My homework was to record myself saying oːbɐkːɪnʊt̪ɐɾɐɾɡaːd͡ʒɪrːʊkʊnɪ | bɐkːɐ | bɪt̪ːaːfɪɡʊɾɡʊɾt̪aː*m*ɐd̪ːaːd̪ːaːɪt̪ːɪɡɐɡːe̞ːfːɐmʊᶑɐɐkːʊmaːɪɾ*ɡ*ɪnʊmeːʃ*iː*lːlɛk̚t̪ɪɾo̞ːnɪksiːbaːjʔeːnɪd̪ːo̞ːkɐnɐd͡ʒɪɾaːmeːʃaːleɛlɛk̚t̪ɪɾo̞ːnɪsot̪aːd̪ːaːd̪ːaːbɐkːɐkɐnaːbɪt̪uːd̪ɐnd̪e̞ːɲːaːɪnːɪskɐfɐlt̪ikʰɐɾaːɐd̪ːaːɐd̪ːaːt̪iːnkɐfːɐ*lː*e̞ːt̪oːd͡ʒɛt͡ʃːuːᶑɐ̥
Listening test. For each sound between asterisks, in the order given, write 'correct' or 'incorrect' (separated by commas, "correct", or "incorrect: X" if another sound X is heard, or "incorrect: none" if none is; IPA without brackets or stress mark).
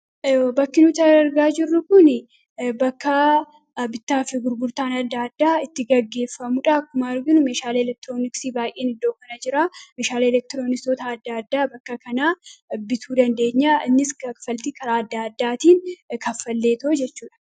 incorrect: n, correct, incorrect: aː, correct